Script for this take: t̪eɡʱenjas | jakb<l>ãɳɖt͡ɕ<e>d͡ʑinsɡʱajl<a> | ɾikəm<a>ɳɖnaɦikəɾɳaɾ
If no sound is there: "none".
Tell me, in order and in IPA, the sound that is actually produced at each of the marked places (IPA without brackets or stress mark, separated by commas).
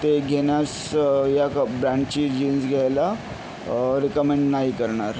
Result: ɾ, i, a, e